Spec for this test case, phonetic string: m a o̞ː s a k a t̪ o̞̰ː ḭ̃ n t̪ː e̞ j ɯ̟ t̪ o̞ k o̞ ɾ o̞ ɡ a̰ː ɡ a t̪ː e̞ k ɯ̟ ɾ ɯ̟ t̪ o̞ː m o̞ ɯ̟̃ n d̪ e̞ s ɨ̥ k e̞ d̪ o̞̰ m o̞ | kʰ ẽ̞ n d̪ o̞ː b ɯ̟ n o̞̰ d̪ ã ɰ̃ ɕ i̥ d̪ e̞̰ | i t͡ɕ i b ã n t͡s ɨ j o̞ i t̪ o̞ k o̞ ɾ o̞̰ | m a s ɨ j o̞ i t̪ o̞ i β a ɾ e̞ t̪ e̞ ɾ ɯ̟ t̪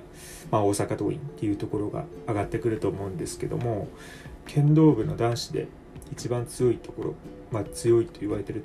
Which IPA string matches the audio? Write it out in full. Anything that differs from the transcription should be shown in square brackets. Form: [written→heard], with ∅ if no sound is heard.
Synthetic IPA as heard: m a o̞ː s a k a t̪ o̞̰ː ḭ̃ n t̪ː e̞ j ɯ̟ t̪ o̞ k o̞ ɾ o̞ ɡ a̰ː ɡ a t̪ː e̞ k ɯ̟ ɾ ɯ̟ t̪ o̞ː m o̞ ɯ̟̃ n d̪ e̞ s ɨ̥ k e̞ d̪ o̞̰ m o̞ | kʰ ẽ̞ n d̪ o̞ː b ɯ̟ n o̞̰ d̪ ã ɰ̃ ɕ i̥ d̪ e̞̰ | i t͡ɕ i b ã n t͡s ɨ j o̞ i t̪ o̞ k o̞ ɾ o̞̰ | m a [s→t͡s] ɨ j o̞ i t̪ o̞ i β a ɾ e̞ t̪ e̞ ɾ ɯ̟ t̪